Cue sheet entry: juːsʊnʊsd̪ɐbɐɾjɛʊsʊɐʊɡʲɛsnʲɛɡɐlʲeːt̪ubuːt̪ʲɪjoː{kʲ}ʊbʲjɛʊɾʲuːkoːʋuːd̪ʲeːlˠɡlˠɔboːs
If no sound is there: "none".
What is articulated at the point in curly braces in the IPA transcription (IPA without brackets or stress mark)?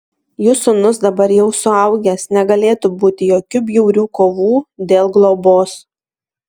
kʲ